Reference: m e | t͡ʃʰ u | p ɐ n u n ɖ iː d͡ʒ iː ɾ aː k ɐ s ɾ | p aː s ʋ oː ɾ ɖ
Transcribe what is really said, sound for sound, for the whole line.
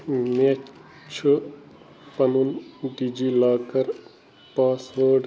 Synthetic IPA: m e | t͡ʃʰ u | p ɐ n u n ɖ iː d͡ʒ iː l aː k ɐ ɾ | p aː s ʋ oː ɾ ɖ